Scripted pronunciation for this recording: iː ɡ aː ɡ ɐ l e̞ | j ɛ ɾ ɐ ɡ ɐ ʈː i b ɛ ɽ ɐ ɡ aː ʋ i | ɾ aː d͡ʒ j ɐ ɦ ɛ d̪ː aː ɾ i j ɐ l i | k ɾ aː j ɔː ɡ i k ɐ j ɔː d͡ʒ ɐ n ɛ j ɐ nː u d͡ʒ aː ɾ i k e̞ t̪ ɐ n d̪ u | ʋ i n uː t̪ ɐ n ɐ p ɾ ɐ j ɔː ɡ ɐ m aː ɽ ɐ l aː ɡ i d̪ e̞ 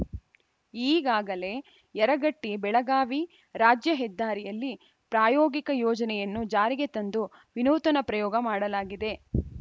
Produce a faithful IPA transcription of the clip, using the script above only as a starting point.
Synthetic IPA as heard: iː ɡ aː ɡ ɐ l e̞ | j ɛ ɾ ɐ ɡ ɐ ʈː i b ɛ ɭ ɐ ɡ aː ʋ i | ɾ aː d͡ʒ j ɐ ɦ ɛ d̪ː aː ɾ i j ɐ lː i | p ɾ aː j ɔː ɡ i k ɐ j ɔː d͡ʒ ɐ n ɛ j ɐ nː u d͡ʒ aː ɾ i ɡ e̞ t̪ ɐ n d̪ u | ʋ i n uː t̪ ɐ n ɐ p ɾ ɐ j ɔː ɡ ɐ m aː ɽ ɐ l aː ɡ i d̪ e̞